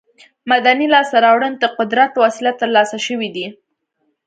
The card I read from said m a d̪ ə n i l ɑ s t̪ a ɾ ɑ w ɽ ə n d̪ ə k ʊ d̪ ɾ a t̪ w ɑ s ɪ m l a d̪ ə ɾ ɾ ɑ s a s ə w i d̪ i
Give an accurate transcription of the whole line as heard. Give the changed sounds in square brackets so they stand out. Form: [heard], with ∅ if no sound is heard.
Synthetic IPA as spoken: m a d̪ [a] n i l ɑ s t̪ a ɾ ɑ w ɽ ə n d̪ ə [q] ʊ d̪ ɾ a t̪ w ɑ s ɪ [∅] l a [t̪] ə ɾ [l] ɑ s a [ʃ] ə w i d̪ i